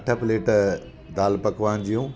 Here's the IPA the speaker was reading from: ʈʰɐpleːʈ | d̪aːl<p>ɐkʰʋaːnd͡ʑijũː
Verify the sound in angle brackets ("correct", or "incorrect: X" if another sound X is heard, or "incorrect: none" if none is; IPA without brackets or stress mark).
correct